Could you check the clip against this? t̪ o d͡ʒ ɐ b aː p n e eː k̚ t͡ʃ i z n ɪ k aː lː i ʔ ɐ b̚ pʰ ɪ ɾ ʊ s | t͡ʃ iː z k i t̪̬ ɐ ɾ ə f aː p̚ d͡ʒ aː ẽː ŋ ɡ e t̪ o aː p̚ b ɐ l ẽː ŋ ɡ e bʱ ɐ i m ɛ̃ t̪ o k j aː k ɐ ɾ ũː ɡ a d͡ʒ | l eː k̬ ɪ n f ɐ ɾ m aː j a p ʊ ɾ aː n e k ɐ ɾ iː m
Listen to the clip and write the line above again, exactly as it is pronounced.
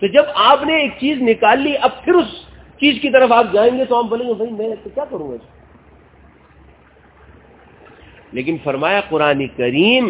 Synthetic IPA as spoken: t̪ o d͡ʒ ɐ b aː p n e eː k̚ t͡ʃ iː z n ɪ k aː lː i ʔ ɐ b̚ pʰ ɪ ɾ ʊ s | t͡ʃ iː z k i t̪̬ ɐ ɾ ə f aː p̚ d͡ʒ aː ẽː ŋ ɡ e t̪ o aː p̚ b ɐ l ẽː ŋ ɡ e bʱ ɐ i m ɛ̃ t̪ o k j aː k ɐ ɾ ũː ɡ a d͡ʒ | l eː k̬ ɪ n f ɐ ɾ m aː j a q ʊ ɾ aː n e k ɐ ɾ iː m